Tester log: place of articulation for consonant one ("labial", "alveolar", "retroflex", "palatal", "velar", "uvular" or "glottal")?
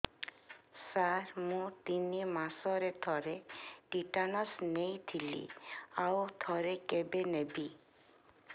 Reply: alveolar